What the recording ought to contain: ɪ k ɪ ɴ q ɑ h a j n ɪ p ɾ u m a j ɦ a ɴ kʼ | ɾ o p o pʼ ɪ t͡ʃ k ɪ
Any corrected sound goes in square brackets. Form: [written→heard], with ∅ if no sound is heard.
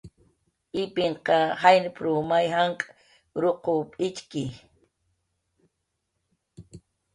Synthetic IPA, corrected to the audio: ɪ [k→p] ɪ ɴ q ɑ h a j n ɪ p ɾ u m a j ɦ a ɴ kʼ | ɾ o [p→q] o pʼ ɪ t͡ʃ k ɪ

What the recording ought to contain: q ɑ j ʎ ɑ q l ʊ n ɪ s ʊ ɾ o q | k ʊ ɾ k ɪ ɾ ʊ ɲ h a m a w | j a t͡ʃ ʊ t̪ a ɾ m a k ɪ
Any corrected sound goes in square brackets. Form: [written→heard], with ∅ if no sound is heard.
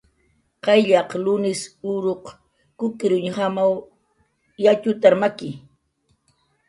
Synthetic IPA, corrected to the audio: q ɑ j ʎ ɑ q l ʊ n ɪ s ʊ ɾ o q | k ʊ [ɾ→∅] k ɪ ɾ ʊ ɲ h a m a w | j a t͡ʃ ʊ t̪ a ɾ m a k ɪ

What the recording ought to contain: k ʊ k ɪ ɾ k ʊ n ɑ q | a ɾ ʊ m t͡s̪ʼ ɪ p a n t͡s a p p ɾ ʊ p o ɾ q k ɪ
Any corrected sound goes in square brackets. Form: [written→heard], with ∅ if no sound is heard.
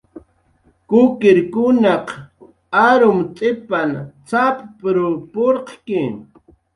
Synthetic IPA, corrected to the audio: k ʊ k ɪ ɾ k ʊ n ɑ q | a ɾ ʊ m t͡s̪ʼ ɪ p a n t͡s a p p ɾ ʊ p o ɾ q k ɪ

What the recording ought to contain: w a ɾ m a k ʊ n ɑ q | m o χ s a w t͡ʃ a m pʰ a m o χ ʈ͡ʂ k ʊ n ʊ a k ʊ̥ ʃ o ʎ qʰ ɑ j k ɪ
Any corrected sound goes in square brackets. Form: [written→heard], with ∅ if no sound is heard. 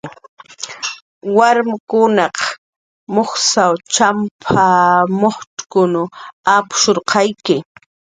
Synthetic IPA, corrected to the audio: w a ɾ m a k ʊ n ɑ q | m o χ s a w t͡ʃ a m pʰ a m o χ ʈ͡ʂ k ʊ n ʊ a [k→p] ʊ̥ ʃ o [ʎ→ɾ] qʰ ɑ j k ɪ

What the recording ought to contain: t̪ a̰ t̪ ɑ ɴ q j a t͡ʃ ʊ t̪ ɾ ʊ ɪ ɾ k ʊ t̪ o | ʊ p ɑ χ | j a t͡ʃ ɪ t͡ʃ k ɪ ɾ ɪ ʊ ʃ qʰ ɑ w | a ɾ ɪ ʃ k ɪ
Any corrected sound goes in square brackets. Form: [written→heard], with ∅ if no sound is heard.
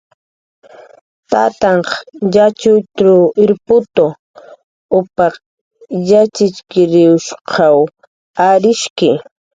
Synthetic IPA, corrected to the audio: t̪ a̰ t̪ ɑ ɴ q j a t͡ʃ ʊ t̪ ɾ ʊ ɪ ɾ [k→p] ʊ t̪ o | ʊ p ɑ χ | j a t͡ʃ ɪ t͡ʃ k ɪ ɾ ɪ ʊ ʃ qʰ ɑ w | a ɾ ɪ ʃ k ɪ

